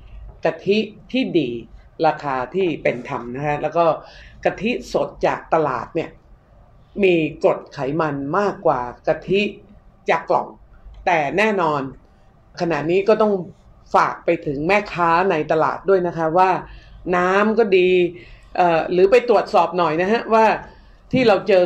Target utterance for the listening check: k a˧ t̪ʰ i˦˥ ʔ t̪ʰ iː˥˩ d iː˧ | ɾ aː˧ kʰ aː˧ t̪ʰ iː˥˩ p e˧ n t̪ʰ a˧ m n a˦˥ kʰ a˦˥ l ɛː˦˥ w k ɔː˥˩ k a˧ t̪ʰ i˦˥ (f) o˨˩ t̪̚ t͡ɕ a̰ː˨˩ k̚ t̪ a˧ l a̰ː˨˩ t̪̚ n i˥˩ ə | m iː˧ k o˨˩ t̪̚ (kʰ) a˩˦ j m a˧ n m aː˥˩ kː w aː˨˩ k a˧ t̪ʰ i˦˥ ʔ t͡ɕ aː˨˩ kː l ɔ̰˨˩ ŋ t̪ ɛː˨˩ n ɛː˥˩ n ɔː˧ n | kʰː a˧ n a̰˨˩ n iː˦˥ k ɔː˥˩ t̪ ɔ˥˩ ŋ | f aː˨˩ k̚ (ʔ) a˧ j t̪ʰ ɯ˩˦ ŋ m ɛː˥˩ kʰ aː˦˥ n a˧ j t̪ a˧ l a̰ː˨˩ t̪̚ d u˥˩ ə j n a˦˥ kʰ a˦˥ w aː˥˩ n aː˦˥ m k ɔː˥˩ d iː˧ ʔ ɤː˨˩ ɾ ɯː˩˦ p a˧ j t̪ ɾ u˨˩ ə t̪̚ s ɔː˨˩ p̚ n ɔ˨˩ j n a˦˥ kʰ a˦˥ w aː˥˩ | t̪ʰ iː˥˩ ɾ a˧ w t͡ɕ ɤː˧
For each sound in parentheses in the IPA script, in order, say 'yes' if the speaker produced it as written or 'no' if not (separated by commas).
no, yes, no